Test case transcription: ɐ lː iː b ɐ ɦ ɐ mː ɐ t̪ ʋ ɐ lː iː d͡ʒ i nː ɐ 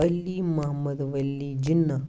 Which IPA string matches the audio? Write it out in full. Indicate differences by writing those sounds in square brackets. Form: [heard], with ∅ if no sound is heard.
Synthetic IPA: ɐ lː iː [m] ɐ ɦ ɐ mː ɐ [d̪] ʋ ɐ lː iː d͡ʒ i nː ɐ